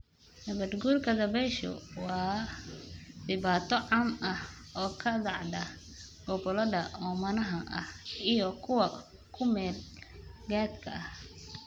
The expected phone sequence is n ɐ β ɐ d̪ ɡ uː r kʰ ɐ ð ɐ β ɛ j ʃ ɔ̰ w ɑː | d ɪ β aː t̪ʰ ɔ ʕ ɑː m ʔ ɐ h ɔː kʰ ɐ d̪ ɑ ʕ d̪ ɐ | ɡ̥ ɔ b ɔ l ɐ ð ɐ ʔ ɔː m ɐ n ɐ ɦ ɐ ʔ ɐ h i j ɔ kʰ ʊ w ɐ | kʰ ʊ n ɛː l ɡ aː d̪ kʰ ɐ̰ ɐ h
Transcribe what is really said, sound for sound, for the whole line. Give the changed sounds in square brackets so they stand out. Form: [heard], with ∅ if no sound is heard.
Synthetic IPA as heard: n ɐ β ɐ d̪ ɡ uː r kʰ ɐ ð ɐ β ɛ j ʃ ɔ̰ w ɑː | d ɪ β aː t̪ʰ ɔ ʕ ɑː m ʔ ɐ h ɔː kʰ ɐ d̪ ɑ ʕ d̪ ɐ | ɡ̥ ɔ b ɔ l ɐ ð ɐ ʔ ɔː m ɐ n ɐ ɦ ɐ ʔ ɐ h i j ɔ kʰ ʊ w ɐ | kʰ ʊ [m] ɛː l ɡ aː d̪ kʰ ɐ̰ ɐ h